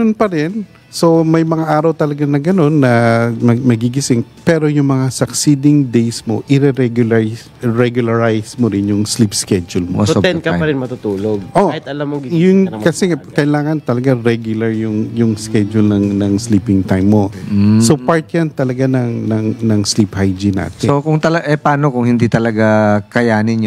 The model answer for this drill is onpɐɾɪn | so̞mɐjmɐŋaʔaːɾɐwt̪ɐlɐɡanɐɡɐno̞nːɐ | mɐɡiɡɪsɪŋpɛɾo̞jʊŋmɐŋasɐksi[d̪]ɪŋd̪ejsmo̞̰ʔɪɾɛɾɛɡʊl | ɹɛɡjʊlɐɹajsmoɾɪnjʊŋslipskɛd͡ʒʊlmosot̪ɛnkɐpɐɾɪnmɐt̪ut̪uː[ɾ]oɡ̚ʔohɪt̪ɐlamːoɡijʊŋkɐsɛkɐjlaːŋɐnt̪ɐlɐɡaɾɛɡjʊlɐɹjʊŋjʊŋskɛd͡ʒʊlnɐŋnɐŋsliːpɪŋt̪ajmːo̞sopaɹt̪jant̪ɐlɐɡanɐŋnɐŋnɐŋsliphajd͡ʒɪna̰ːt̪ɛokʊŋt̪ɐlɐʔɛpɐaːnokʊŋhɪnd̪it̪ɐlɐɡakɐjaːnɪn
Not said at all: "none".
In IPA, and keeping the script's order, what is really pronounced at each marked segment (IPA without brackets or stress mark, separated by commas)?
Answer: d̪, l